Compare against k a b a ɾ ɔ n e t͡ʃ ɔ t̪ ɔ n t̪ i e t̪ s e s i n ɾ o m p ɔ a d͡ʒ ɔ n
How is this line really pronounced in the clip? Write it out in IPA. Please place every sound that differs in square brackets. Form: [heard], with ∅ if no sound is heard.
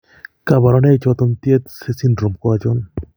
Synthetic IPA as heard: k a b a ɾ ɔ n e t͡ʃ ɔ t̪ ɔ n t̪ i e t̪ s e s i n ɾ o m [k] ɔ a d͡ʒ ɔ n